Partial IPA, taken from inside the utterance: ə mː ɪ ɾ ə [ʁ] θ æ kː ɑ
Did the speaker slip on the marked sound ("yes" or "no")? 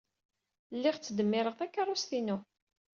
no